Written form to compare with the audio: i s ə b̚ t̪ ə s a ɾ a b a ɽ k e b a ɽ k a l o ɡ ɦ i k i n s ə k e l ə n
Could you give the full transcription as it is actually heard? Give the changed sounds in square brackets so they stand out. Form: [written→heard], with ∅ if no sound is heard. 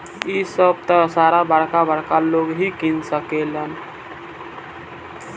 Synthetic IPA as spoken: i s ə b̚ t̪ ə s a ɾ a b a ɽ k [e→a] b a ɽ k a l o ɡ ɦ i k i n s ə k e l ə n